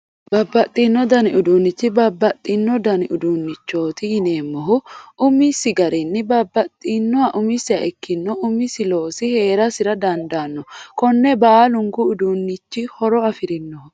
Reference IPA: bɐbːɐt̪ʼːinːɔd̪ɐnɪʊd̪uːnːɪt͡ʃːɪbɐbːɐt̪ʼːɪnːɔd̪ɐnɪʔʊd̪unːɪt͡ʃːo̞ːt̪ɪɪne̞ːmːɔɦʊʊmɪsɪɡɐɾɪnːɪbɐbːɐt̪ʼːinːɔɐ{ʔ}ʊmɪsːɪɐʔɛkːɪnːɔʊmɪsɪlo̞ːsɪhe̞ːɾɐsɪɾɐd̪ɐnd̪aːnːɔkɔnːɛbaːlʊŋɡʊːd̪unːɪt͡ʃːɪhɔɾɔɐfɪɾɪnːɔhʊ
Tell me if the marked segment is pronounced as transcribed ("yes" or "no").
yes